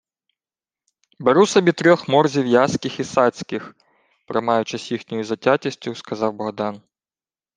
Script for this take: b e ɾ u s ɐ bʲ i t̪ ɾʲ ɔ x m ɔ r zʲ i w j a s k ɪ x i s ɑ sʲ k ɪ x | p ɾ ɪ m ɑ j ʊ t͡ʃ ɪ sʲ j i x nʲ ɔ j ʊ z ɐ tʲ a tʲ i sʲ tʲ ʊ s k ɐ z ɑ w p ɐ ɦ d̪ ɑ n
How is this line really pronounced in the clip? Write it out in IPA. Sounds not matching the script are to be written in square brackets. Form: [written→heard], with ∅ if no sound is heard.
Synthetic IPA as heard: b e ɾ u s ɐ bʲ i t̪ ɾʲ ɔ x m ɔ r zʲ i w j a s k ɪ x i s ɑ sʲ k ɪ x | p ɾ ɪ m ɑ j ʊ t͡ʃ ɪ sʲ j i x nʲ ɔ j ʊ z ɐ tʲ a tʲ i sʲ tʲ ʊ s k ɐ z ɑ w [p→b] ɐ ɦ d̪ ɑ n

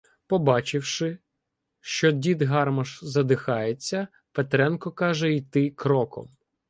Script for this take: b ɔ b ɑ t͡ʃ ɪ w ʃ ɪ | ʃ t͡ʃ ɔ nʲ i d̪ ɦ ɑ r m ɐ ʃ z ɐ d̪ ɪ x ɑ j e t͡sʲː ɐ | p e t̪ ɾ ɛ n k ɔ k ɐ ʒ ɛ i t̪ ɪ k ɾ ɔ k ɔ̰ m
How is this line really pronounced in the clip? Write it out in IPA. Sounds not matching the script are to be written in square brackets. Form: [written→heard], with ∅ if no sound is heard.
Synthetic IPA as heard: [b→p] ɔ b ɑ t͡ʃ ɪ w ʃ ɪ | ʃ t͡ʃ ɔ [nʲ→dʲ] i d̪ ɦ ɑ r m ɐ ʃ z ɐ d̪ ɪ x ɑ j e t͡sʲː ɐ | p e t̪ ɾ ɛ n k ɔ k [ɐ→ɑ] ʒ ɛ i t̪ ɪ k ɾ ɔ k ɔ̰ m

